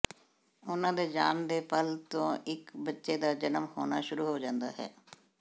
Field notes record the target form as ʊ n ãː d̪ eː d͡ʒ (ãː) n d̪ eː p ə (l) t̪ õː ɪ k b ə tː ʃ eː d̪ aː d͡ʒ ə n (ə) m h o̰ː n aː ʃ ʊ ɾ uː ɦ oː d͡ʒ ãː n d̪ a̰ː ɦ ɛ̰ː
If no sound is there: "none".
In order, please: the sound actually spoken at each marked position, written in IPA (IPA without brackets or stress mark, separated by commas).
aː, l, ə